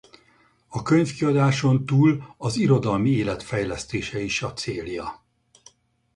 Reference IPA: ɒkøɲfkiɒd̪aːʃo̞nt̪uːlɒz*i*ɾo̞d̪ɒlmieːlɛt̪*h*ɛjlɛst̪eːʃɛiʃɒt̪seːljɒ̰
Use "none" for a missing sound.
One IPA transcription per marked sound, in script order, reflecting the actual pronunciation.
i, f

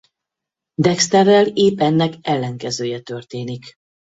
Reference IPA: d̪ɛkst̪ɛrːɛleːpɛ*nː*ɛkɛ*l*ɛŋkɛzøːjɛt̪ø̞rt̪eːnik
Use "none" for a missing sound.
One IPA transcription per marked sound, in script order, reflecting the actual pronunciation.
nː, lː

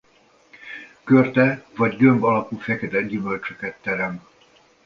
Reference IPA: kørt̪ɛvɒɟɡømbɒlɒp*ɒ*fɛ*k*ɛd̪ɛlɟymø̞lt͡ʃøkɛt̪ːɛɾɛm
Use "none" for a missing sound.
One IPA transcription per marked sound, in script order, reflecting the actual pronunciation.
u, k

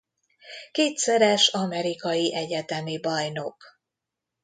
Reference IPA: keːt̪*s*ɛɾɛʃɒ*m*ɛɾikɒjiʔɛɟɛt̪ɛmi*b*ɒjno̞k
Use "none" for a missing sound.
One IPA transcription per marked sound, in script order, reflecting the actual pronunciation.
s, m, b

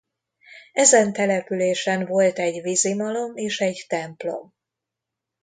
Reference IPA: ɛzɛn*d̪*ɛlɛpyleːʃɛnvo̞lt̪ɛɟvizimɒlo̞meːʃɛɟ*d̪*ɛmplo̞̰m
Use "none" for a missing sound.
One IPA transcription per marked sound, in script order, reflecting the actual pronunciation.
t̪, t̪

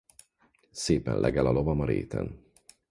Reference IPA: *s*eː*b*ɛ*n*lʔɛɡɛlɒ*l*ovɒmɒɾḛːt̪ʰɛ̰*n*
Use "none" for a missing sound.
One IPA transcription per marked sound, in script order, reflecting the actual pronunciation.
s, p, n, l, n

